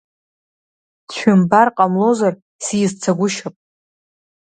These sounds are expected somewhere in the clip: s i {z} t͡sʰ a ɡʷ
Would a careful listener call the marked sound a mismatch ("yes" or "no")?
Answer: no